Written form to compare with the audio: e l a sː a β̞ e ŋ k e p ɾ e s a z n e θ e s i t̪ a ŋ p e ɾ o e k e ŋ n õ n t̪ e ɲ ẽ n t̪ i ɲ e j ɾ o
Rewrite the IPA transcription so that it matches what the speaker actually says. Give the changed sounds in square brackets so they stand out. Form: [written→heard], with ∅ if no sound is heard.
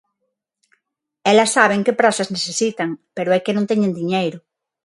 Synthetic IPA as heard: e l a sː a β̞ e ŋ k e p ɾ [e→a] s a z n e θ e s i t̪ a ŋ p e ɾ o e k e [ŋ→∅] n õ n t̪ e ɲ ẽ n [t̪→d̪] i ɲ e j ɾ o